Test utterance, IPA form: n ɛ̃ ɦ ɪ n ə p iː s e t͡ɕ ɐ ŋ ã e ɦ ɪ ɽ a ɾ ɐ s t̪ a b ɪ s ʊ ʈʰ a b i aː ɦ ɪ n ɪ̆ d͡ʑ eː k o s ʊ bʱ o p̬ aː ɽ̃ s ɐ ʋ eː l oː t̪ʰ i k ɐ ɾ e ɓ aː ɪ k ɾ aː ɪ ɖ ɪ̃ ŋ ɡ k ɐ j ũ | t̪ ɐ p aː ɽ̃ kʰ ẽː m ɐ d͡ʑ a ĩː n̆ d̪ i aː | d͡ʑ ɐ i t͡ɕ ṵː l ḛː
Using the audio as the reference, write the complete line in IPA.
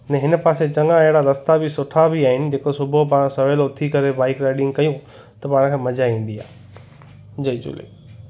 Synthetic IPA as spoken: n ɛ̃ ɦ ɪ n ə p aː s e t͡ɕ ɐ ŋ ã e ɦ ɪ ɽ a ɾ ɐ s t̪ a b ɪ s ʊ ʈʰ a b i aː ɦ ɪ n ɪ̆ d͡ʑ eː k o s ʊ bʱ o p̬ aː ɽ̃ s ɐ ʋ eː l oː t̪ʰ i k ɐ ɾ e b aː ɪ k ɾ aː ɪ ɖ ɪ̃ ŋ ɡ k ɐ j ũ | t̪ ɐ p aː ɽ̃ kʰ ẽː m ɐ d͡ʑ a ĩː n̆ d̪ i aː | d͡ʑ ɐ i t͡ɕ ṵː l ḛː